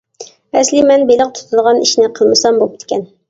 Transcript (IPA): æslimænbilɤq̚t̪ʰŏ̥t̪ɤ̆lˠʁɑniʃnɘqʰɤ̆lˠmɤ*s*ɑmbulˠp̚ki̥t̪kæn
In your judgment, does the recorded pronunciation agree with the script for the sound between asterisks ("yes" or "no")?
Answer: yes